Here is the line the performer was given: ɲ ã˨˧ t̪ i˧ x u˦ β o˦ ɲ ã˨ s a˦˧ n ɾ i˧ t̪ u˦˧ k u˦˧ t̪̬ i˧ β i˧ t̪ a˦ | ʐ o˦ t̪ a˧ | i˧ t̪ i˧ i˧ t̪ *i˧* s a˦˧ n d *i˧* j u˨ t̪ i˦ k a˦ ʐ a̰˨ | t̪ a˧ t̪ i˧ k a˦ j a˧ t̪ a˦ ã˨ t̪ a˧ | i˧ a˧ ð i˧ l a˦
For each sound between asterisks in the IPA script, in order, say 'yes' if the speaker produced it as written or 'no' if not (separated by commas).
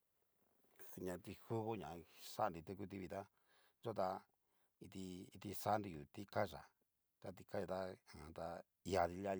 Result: yes, yes